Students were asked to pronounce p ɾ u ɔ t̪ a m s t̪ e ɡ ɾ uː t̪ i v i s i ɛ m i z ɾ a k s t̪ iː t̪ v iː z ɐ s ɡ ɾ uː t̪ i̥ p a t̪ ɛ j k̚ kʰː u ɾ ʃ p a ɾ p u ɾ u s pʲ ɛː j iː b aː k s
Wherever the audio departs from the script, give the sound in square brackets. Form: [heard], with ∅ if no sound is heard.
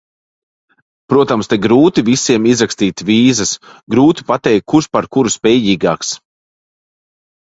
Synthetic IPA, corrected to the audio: p ɾ u ɔ t̪ a m s t̪ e ɡ ɾ uː t̪ i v i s i ɛ m i z ɾ a k s t̪ iː t̪ v iː z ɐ s ɡ ɾ uː t̪ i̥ p a t̪ ɛ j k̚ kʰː u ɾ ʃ p a ɾ [k] u ɾ u s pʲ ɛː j iː [ɡ] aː k s